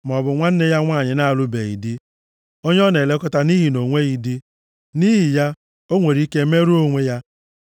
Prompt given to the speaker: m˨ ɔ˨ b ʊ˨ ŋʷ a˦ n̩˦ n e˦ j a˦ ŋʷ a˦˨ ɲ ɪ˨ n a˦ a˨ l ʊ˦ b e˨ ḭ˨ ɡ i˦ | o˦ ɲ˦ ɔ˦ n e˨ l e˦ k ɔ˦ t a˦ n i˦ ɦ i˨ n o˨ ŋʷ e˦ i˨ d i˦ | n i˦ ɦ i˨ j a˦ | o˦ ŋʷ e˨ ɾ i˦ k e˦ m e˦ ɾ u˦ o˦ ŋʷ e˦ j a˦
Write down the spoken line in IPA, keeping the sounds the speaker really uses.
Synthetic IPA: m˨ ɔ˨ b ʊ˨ ŋʷ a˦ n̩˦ n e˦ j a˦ ŋʷ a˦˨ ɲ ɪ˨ n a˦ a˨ l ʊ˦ b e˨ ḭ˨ d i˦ | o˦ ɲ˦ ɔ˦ n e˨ l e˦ k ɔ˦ t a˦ n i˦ ɦ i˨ n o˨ ŋʷ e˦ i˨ d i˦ | n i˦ ɦ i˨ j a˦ | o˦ ŋʷ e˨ ɾ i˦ k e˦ m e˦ ɾ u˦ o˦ ŋʷ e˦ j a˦